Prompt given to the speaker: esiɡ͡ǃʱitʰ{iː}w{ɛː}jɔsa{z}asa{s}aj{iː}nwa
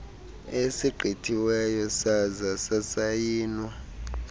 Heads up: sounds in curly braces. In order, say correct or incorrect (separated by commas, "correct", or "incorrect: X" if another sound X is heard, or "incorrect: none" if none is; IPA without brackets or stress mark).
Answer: incorrect: i, incorrect: ɛ, correct, correct, correct